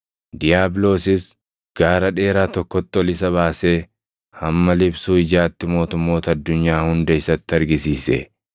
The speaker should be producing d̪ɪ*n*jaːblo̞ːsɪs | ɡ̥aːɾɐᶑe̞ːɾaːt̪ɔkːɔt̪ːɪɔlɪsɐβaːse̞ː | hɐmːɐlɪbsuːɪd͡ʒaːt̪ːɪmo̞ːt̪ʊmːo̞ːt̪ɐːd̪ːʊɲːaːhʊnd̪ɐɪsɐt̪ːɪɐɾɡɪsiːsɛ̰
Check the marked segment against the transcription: incorrect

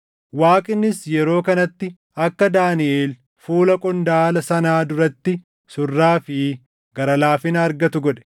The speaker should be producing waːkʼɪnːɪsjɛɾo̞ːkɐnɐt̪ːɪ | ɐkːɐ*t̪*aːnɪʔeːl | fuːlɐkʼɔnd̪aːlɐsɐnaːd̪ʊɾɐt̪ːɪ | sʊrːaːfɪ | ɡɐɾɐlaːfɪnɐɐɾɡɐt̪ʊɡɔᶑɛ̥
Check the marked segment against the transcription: incorrect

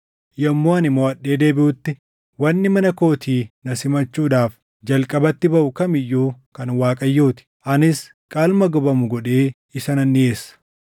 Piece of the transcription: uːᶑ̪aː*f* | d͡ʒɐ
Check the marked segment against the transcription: correct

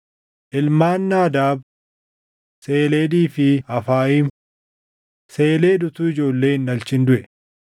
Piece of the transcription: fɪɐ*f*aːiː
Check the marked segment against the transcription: correct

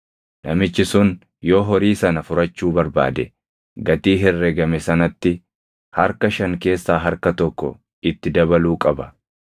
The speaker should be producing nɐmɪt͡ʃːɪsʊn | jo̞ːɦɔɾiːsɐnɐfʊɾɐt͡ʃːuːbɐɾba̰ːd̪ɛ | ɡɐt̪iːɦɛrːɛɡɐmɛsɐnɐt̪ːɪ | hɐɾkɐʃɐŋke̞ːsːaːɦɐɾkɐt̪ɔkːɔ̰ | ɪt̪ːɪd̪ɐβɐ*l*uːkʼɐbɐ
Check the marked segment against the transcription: correct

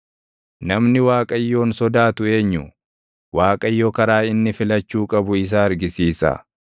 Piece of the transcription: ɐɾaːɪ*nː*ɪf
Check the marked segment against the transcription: correct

